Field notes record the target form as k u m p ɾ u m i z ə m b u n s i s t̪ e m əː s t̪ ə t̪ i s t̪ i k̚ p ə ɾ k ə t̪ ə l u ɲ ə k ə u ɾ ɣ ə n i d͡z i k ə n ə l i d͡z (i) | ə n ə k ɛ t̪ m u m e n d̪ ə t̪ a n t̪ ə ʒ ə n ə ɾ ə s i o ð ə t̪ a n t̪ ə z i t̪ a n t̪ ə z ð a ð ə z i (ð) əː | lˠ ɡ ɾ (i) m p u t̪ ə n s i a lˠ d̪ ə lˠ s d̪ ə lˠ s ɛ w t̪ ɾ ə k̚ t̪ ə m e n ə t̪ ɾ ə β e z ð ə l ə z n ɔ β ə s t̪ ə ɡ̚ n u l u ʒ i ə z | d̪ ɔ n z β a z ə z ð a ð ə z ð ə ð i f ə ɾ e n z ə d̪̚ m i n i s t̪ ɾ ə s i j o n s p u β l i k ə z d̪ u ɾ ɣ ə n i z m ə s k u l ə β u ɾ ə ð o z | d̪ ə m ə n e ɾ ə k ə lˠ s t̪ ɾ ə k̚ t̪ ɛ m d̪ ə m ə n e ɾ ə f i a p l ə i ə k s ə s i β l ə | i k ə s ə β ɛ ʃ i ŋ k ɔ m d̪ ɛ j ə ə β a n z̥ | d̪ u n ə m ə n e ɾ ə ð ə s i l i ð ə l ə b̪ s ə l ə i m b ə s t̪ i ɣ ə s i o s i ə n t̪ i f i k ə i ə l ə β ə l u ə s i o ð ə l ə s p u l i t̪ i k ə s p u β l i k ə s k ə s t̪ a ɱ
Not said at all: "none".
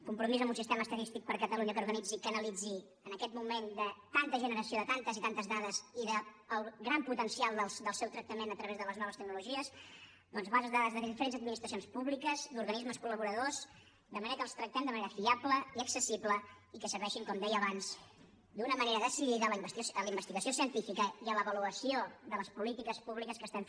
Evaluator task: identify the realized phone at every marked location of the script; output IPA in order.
i, ð, a

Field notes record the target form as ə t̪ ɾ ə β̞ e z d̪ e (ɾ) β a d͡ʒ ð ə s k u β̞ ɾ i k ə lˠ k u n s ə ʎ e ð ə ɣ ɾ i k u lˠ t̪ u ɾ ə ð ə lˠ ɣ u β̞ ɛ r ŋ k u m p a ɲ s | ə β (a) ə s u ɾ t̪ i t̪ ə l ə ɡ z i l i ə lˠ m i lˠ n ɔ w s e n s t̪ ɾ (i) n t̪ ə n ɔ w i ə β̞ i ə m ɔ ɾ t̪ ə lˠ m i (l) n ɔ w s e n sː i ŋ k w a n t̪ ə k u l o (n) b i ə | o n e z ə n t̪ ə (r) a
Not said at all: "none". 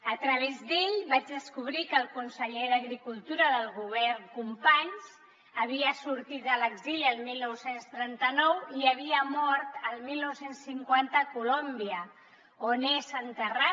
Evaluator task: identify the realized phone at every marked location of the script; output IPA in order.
ʎ, i, ɛ, l, m, r

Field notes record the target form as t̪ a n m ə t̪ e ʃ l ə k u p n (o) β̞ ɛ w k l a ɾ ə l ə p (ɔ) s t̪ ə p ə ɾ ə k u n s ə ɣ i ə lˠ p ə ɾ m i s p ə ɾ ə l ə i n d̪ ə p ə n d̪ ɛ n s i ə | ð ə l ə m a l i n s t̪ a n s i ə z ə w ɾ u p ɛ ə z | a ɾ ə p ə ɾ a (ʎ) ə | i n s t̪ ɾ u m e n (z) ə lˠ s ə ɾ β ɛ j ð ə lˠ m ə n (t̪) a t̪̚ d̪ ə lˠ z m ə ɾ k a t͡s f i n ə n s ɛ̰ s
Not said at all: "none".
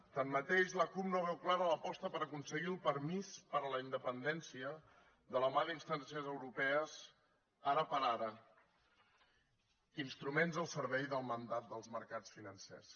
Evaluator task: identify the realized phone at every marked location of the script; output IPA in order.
o, ɔ, ɾ, z, d̪

